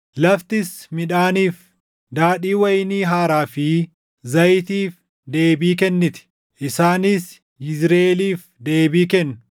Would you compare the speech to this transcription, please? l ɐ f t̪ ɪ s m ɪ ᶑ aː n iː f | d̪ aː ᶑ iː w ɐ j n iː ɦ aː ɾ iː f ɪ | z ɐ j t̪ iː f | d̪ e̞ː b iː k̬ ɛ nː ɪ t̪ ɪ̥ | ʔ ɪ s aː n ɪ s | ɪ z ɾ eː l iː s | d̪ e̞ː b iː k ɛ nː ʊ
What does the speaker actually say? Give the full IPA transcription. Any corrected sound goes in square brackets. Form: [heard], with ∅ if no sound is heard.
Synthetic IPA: l ɐ f t̪ ɪ s m ɪ ᶑ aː n iː f | d̪ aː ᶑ iː w ɐ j n iː ɦ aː ɾ [aː] f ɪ | z ɐ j t̪ iː f | d̪ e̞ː b iː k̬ ɛ nː ɪ t̪ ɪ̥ | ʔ ɪ s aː n ɪ s | ɪ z ɾ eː l iː [f] | d̪ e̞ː b iː k ɛ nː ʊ